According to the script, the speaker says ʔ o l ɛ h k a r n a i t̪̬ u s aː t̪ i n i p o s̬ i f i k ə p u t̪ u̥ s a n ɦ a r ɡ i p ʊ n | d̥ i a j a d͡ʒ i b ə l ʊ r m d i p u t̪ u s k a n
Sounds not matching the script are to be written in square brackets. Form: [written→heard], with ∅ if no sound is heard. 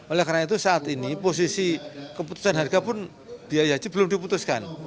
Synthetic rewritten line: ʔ o l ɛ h k a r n a i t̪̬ u s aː t̪ i n i p o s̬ i [f→s] i k ə p u t̪ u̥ s a n ɦ a r ɡ [i→a] p ʊ n | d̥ i a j a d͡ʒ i b ə l ʊ [r→∅] m d i p u t̪ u s k a n